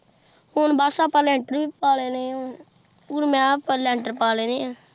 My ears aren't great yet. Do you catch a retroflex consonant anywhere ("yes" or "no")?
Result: yes